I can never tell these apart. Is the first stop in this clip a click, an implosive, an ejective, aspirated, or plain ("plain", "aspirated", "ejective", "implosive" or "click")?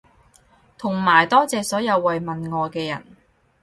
aspirated